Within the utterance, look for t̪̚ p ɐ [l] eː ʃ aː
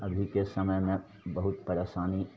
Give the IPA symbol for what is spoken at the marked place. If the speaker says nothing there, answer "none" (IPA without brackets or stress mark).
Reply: ɾ